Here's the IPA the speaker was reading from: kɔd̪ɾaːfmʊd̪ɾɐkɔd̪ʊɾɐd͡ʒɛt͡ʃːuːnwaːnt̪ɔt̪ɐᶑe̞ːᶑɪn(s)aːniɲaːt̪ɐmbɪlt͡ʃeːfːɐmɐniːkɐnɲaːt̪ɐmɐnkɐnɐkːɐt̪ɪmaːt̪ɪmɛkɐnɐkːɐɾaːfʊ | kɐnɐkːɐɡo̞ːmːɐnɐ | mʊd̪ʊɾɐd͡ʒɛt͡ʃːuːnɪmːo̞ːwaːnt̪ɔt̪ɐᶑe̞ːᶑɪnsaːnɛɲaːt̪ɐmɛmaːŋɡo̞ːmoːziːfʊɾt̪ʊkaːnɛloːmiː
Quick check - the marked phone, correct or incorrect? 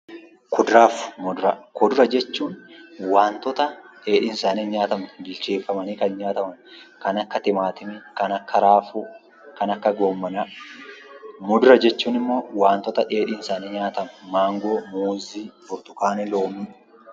correct